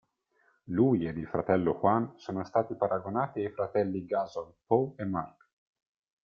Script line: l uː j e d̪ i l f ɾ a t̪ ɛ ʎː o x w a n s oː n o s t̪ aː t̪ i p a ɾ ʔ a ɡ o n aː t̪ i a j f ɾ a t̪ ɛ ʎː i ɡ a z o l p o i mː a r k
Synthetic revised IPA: l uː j e d̪ i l f ɾ a t̪ ɛ lː o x w a n s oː n o s t̪ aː t̪ i p a ɾ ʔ a ɡ o n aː t̪ i a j f ɾ a t̪ ɛ lː i ɡ a z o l p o e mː a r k